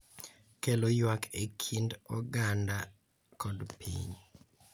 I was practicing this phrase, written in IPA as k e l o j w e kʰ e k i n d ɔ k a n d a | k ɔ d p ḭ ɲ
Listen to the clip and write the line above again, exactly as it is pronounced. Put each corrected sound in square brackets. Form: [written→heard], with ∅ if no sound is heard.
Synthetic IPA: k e l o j w [e→a] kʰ e [k→kʰ] i n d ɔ [k→ɡ] a n d a | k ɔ d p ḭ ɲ